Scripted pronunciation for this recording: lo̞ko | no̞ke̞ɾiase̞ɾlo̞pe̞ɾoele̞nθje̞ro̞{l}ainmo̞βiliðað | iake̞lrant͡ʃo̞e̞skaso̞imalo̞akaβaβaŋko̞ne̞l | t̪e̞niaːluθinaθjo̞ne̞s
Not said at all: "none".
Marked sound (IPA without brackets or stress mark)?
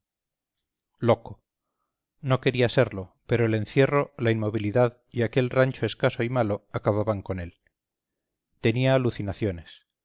l